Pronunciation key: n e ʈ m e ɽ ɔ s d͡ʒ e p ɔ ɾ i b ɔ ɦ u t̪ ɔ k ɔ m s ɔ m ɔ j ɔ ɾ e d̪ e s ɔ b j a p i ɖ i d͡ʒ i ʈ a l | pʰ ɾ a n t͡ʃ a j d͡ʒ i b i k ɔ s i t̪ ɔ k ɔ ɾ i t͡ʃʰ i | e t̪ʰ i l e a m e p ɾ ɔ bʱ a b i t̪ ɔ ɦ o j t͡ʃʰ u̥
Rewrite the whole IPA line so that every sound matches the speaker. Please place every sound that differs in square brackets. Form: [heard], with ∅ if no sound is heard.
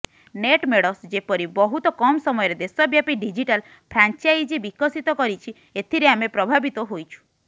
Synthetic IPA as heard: n e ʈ m e ɽ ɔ s d͡ʒ e p ɔ ɾ i b ɔ ɦ u t̪ ɔ k ɔ m s ɔ m ɔ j ɔ ɾ e d̪ e s ɔ b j a p i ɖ i d͡ʒ i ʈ a l | pʰ ɾ a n t͡ʃ a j d͡ʒ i b i k ɔ s i t̪ ɔ k ɔ ɾ i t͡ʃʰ i | e t̪ʰ i [ɾ] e a m e p ɾ ɔ bʱ a b i t̪ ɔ ɦ o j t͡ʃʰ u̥